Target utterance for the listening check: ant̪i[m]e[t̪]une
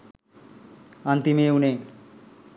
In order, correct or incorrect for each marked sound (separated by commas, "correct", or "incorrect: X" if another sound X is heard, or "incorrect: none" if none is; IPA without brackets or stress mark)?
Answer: correct, incorrect: none